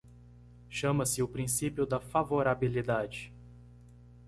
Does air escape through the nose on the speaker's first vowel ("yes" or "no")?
yes